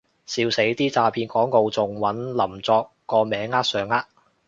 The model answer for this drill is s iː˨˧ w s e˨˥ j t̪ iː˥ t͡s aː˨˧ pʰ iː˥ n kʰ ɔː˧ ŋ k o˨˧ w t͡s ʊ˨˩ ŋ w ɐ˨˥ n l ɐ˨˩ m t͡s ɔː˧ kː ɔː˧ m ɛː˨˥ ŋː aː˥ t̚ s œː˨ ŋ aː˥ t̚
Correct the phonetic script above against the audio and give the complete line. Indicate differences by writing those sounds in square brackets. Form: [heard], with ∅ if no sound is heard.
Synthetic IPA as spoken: s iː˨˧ w s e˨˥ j t̪ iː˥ t͡s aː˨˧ pʰ [iː˧] n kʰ [ɔː˨˥] ŋ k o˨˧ w t͡s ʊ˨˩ ŋ w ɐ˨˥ n l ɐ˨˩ m t͡s ɔː˧ kː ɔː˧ m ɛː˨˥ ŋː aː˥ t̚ s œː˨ ŋ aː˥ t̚